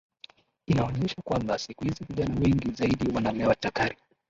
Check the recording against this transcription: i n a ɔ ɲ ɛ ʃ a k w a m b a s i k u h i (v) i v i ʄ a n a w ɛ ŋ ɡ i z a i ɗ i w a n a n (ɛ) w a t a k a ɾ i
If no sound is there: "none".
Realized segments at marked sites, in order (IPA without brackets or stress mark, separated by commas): z, ɛ